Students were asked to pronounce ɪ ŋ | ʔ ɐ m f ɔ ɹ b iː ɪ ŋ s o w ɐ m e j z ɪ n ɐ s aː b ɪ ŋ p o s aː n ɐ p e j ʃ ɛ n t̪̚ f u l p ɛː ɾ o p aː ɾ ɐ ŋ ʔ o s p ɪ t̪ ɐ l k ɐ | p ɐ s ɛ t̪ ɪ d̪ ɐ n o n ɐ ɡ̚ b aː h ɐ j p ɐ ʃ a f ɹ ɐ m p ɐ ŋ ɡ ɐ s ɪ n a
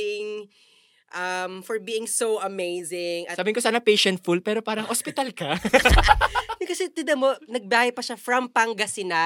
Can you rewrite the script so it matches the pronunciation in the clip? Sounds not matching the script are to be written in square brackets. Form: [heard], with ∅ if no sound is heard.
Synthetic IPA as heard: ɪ ŋ | ʔ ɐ m f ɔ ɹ b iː ɪ ŋ s o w ɐ m e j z ɪ [ŋ] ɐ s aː b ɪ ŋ [k] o s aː n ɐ p e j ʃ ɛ n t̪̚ f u l p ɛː ɾ o p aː ɾ ɐ ŋ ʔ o s p ɪ t̪ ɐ l k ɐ | [k] ɐ s ɛ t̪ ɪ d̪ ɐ [m] o n ɐ ɡ̚ b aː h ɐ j p ɐ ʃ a f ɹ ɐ m p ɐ ŋ ɡ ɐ s ɪ n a